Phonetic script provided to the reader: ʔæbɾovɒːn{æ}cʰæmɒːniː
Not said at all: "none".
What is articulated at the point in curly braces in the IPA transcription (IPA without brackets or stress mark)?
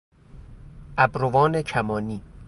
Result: e